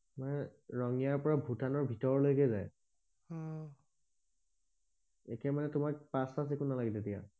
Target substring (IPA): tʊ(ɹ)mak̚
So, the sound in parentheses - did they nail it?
no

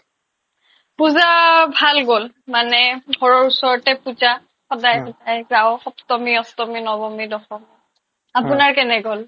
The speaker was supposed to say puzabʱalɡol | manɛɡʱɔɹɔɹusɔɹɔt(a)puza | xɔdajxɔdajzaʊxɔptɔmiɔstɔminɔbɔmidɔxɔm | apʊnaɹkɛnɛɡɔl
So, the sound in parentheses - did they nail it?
no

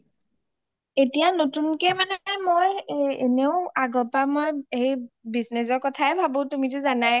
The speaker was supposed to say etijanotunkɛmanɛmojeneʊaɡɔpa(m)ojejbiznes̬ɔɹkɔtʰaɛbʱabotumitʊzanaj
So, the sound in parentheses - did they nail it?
yes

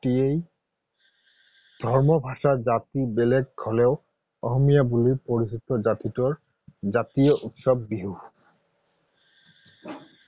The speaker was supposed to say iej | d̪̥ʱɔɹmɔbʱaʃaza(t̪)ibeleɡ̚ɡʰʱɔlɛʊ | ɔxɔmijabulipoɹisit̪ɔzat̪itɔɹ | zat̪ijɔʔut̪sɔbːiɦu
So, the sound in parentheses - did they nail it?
yes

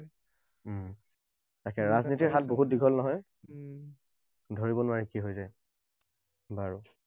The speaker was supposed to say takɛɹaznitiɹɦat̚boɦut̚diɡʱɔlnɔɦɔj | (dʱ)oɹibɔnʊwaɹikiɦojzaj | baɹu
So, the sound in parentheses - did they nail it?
yes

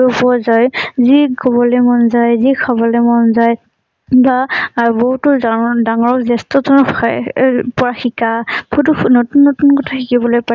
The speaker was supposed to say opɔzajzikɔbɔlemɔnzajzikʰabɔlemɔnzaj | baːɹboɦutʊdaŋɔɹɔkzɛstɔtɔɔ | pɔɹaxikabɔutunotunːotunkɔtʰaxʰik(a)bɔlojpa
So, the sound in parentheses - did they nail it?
no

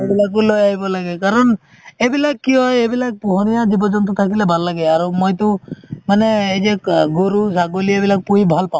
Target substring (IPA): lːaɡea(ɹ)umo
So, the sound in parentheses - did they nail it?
no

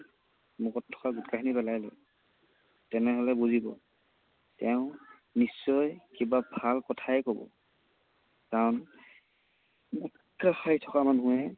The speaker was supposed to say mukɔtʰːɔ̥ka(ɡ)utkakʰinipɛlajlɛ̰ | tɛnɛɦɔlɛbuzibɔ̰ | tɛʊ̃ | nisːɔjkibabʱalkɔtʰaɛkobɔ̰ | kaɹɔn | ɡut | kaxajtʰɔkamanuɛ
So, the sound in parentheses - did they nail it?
yes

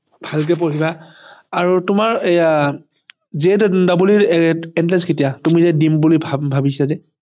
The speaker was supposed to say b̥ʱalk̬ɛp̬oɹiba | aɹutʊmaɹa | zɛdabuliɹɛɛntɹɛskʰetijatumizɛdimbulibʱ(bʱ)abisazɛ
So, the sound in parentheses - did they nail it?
yes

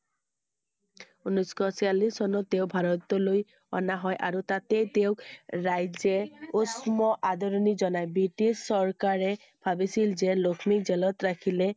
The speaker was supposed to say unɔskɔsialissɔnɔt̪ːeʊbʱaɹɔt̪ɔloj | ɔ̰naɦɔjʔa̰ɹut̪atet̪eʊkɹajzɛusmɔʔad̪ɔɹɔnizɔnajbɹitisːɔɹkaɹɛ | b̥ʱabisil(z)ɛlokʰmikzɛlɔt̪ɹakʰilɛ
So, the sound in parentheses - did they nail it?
yes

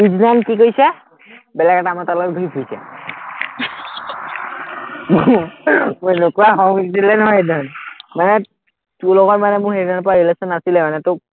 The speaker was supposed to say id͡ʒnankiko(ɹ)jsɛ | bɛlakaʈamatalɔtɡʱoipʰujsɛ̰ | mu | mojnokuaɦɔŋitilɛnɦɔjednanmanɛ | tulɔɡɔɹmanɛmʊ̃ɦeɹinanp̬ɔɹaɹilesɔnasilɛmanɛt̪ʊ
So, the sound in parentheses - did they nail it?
no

